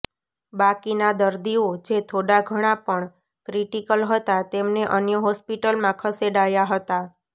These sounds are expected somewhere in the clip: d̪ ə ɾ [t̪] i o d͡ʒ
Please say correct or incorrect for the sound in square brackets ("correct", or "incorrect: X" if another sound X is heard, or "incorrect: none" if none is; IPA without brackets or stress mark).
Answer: incorrect: d̪